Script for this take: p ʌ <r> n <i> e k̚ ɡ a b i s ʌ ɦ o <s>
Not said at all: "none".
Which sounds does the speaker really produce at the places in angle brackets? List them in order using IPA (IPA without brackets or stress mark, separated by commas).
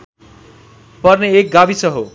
r, e, none